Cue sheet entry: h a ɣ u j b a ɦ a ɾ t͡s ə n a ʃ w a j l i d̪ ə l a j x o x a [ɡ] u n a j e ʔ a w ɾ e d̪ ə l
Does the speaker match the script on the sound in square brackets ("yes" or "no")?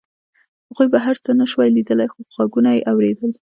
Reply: yes